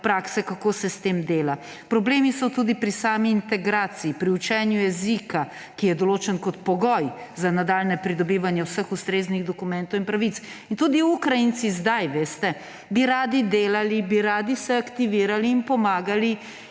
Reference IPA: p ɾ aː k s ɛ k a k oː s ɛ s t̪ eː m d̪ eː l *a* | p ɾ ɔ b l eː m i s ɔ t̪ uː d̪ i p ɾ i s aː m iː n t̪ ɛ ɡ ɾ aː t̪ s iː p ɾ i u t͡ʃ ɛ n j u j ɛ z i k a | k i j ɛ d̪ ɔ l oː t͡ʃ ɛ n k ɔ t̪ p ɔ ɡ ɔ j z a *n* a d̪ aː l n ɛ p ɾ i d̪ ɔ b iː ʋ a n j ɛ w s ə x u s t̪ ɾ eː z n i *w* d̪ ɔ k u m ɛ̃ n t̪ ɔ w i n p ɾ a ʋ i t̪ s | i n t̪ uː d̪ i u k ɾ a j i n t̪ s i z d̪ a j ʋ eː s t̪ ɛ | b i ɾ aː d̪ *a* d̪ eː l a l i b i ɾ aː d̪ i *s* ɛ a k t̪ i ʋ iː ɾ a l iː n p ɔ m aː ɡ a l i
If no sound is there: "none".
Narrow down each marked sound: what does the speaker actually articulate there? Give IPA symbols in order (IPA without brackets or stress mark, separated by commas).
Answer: a, n, ɣ, i, s